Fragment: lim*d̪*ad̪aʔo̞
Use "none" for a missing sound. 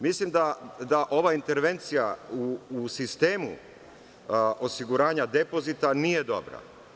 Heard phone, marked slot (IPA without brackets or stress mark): d̪